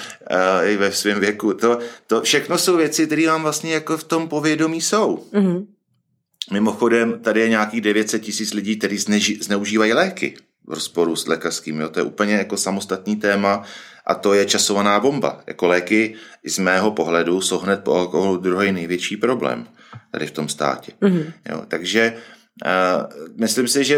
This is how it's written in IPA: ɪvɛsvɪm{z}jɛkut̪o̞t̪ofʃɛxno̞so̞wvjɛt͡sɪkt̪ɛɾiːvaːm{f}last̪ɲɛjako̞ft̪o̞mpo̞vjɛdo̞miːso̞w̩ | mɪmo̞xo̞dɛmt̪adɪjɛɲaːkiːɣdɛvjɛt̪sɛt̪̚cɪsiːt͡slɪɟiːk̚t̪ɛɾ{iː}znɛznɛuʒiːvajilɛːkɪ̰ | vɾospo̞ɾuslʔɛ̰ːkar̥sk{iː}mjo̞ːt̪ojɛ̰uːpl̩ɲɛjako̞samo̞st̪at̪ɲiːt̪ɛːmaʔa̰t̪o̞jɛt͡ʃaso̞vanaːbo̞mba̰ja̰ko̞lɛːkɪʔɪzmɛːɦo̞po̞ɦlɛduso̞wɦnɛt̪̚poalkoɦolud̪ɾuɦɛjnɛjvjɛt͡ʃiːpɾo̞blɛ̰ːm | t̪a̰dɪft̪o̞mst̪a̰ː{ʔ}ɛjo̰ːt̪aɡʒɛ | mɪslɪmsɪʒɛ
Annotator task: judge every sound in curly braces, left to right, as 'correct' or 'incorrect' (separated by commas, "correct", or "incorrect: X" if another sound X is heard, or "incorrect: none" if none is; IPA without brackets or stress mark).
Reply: incorrect: v, incorrect: v, correct, correct, incorrect: c